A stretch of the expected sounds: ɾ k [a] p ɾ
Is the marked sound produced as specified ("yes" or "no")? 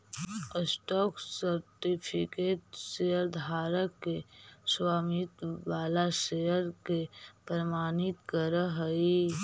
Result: no